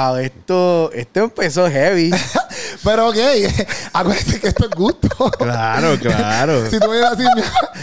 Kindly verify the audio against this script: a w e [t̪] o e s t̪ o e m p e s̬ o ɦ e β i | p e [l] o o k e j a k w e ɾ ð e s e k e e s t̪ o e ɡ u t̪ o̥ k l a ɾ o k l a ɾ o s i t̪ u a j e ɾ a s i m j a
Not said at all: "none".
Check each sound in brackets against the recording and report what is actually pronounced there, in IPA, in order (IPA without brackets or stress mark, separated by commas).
t̪, ɾ